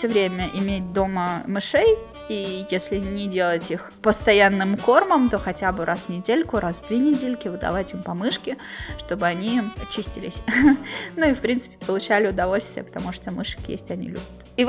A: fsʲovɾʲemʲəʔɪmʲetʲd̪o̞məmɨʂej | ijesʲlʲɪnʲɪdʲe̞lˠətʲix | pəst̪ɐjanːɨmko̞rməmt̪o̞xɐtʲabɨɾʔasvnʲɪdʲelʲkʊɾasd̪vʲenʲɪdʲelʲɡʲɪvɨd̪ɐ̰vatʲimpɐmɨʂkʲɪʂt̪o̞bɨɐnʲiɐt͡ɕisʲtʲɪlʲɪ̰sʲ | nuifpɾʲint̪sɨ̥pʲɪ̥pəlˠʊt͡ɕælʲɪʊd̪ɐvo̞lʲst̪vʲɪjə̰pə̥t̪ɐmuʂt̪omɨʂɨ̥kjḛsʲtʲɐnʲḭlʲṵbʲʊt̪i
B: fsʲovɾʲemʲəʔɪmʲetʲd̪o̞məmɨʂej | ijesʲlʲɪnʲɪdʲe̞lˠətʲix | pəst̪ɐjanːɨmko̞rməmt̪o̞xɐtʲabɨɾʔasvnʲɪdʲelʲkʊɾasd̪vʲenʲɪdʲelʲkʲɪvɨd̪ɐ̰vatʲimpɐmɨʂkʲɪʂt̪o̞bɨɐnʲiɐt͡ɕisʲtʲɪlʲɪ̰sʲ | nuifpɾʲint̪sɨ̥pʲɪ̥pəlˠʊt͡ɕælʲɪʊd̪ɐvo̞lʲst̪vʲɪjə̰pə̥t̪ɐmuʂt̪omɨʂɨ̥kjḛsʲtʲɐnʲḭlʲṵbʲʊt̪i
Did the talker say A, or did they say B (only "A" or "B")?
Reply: B